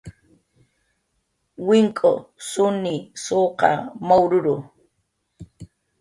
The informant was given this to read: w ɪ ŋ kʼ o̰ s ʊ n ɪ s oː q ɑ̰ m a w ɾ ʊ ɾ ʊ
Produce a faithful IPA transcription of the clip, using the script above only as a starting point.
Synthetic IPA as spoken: w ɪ ŋ kʼ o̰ s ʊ n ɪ s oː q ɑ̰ m a w ɾ ʊ ɾ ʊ